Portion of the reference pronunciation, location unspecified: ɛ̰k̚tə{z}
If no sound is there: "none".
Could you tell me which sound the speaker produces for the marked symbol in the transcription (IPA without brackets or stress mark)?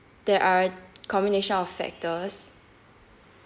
s